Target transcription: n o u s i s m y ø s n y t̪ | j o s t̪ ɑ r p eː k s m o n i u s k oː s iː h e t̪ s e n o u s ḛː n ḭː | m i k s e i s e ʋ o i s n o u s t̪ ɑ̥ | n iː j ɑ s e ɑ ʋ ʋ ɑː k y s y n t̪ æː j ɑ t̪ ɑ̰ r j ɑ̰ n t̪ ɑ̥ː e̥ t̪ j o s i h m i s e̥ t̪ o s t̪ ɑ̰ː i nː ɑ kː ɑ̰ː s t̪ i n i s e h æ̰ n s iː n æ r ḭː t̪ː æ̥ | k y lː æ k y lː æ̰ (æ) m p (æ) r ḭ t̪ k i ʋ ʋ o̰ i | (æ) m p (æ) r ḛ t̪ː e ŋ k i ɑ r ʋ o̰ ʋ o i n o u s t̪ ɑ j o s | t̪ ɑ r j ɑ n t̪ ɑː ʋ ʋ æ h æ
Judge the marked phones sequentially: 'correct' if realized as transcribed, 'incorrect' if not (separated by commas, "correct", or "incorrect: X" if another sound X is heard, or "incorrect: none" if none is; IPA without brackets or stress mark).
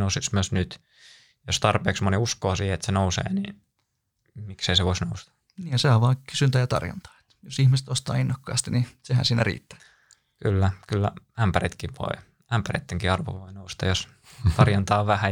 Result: correct, correct, correct, correct